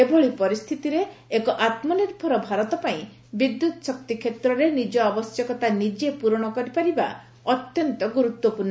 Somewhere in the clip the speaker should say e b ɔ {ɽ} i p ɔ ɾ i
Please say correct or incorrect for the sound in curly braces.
incorrect